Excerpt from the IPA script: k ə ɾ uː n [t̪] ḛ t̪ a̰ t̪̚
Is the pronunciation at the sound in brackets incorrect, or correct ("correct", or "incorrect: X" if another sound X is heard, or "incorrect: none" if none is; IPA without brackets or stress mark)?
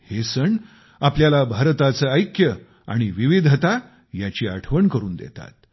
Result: incorrect: d̪